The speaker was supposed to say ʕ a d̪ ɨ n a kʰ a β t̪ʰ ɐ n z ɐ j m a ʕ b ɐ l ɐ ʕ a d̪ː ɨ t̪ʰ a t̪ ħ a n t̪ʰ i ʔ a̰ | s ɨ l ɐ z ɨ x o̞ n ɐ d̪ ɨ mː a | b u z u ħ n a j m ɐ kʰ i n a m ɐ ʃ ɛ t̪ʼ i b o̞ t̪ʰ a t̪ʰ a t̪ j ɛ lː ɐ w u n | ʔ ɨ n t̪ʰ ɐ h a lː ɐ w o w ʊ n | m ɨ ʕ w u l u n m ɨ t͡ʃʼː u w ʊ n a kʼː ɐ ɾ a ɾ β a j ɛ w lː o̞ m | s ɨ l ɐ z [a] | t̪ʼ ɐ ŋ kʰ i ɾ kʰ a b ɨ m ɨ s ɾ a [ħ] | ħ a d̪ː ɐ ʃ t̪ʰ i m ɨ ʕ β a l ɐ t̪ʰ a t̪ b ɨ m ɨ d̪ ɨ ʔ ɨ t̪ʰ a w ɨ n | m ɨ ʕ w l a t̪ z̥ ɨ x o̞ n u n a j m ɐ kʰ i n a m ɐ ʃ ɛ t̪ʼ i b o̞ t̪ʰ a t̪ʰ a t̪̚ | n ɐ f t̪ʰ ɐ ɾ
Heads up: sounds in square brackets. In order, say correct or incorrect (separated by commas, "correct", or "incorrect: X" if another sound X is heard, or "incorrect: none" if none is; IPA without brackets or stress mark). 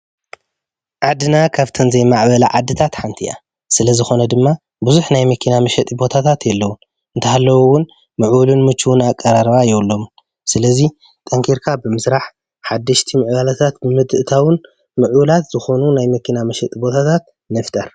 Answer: incorrect: i, correct